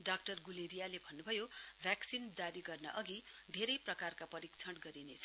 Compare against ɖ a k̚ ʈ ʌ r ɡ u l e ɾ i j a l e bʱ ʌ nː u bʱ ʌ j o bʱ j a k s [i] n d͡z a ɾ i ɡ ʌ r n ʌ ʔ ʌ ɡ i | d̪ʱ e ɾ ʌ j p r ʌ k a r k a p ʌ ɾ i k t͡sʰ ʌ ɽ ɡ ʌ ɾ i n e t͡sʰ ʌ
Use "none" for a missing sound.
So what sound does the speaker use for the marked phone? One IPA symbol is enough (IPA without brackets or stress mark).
i